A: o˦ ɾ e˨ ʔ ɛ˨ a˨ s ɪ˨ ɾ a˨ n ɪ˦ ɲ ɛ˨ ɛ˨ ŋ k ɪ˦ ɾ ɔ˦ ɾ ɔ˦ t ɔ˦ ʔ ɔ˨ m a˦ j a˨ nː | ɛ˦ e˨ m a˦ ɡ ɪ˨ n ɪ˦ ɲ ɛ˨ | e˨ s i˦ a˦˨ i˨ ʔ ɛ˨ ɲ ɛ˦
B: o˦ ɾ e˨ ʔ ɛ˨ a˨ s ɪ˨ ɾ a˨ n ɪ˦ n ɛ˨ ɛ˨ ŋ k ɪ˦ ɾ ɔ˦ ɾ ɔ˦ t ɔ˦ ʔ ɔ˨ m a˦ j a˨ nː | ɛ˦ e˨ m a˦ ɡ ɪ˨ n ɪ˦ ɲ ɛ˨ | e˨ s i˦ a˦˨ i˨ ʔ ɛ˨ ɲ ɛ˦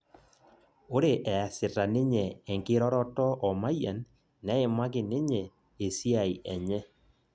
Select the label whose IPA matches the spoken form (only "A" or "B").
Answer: A